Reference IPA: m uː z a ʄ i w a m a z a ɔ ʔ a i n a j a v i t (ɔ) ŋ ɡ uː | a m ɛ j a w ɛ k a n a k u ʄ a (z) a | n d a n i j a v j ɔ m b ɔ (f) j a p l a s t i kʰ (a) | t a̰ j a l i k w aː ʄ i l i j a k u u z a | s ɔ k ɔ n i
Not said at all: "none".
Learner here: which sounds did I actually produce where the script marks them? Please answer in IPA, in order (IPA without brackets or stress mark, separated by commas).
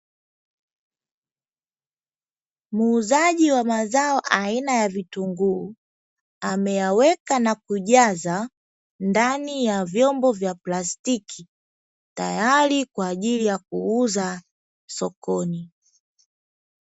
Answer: u, z, v, i